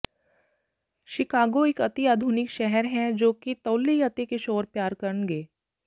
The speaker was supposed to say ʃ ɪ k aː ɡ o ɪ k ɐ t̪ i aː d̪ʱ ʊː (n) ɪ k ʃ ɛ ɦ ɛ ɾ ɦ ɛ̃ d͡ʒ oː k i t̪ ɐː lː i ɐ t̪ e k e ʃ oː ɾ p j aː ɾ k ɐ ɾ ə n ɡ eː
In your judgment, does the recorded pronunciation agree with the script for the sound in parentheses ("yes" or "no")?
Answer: yes